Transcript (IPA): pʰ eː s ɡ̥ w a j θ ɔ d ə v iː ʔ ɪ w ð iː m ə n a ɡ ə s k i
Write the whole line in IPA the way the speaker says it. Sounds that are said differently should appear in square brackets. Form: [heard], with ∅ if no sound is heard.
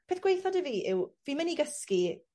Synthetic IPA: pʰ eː [θ] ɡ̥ w [e] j θ ɔ d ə v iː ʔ ɪ w [v] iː m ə n [i] ɡ ə s k i